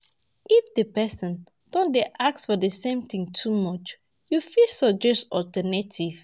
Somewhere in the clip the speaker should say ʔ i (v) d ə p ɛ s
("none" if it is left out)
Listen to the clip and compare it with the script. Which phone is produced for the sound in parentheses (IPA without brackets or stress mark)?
f